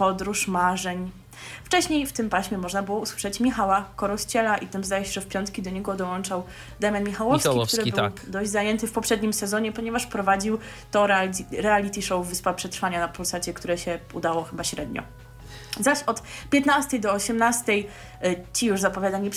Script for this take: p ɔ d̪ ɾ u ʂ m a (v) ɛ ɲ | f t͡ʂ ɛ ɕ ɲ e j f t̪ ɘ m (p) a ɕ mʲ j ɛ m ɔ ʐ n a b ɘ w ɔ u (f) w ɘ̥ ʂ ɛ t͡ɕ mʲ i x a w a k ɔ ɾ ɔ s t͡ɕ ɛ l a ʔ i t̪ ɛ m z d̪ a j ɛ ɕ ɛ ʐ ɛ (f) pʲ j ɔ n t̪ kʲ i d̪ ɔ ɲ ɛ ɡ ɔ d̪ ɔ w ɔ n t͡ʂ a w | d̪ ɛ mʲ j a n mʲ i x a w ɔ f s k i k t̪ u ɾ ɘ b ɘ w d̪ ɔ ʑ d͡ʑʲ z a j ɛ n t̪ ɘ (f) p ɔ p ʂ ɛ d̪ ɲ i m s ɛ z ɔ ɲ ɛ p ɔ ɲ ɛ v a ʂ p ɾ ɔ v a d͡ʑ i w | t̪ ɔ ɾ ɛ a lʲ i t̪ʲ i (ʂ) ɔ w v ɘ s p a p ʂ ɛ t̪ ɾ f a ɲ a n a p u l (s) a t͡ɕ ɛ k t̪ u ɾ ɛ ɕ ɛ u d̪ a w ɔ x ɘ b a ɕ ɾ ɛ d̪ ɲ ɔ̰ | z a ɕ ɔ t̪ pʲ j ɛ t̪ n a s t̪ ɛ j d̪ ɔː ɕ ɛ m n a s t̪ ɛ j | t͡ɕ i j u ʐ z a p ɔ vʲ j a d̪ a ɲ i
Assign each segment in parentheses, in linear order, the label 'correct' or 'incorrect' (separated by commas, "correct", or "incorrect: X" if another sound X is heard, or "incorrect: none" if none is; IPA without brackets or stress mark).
incorrect: ʐ, correct, incorrect: s, correct, correct, correct, correct